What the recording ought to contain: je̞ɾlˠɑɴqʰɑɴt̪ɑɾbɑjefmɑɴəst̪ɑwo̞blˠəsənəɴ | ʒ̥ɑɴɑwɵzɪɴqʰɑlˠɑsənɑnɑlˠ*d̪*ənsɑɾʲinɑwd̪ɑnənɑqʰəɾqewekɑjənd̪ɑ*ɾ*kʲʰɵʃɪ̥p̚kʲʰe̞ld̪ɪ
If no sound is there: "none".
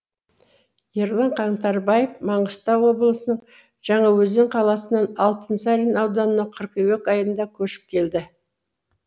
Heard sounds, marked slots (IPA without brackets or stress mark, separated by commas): t̪, none